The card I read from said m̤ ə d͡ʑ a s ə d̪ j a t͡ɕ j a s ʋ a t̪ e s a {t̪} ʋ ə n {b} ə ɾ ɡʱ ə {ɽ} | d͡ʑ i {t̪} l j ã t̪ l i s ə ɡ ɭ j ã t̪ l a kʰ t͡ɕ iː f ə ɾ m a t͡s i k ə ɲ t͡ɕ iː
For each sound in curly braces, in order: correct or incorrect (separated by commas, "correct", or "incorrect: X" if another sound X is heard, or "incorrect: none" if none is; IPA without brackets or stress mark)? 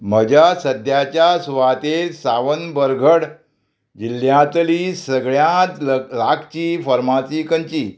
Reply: incorrect: none, correct, correct, incorrect: none